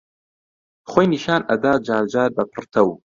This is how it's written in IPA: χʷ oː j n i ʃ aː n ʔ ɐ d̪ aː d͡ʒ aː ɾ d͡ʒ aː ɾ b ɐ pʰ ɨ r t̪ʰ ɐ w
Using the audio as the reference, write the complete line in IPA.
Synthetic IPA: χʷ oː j n i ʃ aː n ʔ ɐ d̪ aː d͡ʒ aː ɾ d͡ʒ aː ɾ b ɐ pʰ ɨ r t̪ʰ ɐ w